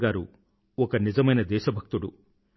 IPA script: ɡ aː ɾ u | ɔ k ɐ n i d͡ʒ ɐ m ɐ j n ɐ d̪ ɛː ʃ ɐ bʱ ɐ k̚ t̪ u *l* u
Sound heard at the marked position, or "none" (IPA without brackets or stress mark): ɽ